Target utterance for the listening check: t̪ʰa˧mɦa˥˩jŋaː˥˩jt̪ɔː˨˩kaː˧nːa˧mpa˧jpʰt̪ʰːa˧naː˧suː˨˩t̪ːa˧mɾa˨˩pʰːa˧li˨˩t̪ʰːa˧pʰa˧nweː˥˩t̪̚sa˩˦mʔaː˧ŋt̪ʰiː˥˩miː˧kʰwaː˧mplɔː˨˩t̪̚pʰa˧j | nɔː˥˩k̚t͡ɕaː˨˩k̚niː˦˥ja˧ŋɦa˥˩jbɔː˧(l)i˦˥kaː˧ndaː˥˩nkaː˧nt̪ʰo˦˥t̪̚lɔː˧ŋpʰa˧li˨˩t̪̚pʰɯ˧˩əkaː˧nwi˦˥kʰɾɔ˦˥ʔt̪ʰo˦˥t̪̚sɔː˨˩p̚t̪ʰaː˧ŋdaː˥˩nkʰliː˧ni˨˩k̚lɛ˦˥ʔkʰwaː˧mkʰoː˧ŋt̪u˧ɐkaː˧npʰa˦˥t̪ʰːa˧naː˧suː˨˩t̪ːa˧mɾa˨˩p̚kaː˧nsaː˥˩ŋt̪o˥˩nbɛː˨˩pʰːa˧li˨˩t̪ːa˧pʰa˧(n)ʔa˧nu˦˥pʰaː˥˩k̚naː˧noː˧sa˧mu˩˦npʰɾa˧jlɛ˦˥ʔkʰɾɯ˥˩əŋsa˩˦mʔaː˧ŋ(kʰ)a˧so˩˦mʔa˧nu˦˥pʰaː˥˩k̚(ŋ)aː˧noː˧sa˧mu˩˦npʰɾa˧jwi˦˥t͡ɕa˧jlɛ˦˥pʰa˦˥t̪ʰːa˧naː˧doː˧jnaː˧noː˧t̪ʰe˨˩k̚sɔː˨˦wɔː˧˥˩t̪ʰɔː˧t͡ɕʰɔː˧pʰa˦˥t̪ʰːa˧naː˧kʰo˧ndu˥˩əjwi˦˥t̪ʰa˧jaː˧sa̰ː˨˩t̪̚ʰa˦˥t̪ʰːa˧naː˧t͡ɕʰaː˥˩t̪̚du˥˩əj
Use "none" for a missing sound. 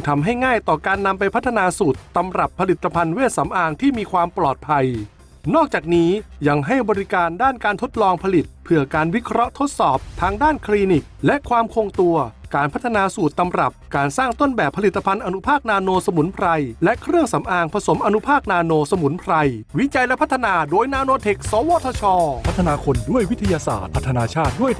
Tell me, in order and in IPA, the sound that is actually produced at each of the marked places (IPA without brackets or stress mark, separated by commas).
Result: ɾ, n, pʰ, n